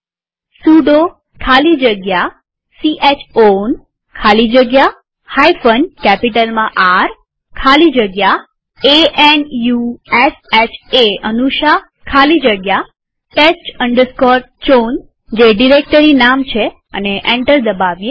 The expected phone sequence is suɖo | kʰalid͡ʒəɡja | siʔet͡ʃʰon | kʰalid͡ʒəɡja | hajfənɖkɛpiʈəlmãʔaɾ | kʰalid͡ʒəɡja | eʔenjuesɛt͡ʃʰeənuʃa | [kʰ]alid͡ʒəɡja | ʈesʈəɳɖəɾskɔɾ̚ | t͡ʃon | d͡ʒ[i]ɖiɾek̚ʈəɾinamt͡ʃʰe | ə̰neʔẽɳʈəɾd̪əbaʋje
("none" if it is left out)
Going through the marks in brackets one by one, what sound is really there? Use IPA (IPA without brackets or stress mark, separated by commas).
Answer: kʰ, e